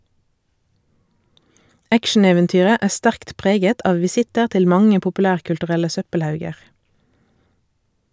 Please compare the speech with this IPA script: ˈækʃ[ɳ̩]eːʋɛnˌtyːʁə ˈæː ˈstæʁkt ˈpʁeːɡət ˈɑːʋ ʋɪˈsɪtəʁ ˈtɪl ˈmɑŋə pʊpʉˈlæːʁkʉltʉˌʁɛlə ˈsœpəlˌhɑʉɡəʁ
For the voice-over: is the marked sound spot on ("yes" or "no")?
no